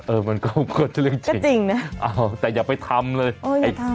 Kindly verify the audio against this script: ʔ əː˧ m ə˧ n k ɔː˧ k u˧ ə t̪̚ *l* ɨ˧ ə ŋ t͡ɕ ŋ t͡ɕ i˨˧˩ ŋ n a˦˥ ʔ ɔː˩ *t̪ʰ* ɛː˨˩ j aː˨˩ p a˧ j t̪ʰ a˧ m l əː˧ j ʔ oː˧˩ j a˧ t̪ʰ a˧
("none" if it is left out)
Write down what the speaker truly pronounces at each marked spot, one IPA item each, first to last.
l, t̪

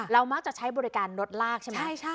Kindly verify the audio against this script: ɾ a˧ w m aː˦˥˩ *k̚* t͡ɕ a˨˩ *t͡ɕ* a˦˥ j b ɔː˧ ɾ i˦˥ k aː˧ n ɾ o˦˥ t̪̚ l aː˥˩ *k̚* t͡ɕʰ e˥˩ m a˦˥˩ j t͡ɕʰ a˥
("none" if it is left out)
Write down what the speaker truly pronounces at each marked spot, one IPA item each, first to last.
k̚, t͡ɕʰ, k̚

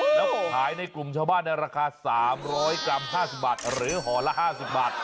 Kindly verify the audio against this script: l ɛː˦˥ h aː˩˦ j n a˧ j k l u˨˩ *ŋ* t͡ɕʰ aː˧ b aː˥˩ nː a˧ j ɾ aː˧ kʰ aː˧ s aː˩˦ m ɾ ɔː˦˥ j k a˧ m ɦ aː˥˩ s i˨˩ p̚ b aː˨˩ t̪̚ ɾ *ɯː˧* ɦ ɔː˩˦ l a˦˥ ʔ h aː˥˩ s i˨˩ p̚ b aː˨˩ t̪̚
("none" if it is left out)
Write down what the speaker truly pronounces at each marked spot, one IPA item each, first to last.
m, ɯː˩˦

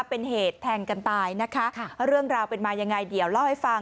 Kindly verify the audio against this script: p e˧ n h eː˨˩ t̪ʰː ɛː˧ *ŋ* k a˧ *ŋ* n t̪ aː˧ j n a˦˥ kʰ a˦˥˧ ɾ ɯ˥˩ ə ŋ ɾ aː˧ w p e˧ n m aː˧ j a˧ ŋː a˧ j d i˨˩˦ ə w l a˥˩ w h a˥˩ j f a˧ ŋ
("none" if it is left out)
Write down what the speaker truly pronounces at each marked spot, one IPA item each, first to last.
ŋ, none

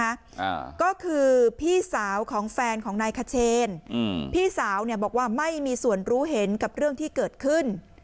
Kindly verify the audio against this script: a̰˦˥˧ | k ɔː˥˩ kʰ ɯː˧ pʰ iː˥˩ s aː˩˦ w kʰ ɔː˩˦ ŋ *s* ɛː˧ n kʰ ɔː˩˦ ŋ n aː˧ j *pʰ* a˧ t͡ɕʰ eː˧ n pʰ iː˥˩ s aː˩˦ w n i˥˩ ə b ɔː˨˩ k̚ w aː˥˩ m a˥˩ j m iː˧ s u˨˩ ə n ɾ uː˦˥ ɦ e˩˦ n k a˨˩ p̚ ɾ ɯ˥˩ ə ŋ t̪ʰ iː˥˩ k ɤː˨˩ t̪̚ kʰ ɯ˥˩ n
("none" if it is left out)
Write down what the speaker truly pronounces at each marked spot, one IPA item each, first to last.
f, kʰ

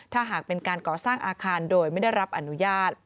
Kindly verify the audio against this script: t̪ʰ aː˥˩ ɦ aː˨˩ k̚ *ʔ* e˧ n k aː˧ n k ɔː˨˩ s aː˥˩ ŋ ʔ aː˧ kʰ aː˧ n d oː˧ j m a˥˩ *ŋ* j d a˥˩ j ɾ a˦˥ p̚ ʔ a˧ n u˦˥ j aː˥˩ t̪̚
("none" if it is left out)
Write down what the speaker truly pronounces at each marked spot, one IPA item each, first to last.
p, none

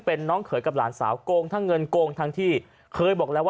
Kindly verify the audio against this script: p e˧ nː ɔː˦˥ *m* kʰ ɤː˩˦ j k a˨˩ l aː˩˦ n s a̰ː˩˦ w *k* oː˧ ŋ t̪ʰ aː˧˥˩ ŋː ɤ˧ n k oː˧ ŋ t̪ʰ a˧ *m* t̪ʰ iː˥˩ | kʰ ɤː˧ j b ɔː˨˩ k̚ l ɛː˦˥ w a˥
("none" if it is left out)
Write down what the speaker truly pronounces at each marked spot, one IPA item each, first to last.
ŋ, k, ŋ

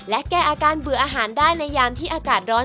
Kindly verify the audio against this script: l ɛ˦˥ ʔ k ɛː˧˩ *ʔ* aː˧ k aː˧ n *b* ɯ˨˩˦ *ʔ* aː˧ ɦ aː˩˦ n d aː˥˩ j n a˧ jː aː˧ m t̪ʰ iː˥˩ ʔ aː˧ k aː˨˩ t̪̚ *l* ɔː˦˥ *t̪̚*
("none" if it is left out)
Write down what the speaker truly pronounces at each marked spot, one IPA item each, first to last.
ʔ, b, ʔ, ɾ, none

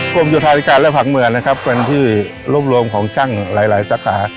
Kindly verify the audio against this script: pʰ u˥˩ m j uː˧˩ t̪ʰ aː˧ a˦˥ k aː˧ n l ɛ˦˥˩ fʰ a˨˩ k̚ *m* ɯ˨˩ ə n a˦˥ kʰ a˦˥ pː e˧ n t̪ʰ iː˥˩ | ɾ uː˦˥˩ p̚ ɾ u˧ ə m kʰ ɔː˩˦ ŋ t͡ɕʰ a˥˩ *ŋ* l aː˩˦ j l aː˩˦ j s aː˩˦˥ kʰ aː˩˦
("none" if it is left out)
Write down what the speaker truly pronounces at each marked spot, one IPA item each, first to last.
m, ŋ

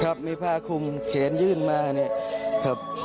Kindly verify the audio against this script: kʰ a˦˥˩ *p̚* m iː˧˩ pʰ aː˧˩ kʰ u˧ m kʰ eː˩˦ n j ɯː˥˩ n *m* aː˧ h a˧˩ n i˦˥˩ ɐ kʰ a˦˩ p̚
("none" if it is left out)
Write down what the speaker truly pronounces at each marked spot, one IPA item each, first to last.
p̚, m

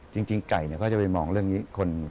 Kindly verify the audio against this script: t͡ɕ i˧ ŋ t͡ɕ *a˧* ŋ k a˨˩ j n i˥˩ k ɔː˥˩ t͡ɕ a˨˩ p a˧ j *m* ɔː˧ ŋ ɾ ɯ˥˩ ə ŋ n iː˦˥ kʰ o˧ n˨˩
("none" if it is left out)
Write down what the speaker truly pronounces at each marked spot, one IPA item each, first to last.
i˧, m

